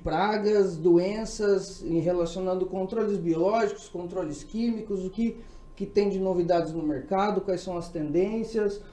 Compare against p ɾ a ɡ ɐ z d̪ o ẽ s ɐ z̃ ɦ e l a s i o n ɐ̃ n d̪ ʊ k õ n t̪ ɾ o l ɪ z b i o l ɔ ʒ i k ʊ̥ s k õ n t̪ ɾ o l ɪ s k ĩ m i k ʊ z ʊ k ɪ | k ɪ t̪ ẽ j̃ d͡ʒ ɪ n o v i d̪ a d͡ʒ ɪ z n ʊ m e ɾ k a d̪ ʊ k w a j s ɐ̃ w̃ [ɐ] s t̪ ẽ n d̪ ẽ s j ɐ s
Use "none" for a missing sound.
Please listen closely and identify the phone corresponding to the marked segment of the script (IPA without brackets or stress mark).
ɐ